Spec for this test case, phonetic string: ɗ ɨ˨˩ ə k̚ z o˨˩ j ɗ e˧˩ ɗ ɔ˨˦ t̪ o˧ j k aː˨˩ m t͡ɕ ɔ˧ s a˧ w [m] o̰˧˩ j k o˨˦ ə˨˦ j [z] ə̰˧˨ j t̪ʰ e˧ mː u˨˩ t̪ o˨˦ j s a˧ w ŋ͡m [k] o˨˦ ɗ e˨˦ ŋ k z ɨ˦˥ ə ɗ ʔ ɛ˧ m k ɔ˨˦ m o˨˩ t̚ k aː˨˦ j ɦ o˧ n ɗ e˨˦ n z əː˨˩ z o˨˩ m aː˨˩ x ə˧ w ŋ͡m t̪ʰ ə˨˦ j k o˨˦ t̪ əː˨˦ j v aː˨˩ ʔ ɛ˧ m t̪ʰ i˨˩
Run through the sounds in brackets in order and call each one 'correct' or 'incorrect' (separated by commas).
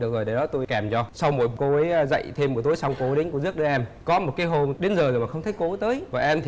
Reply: correct, correct, correct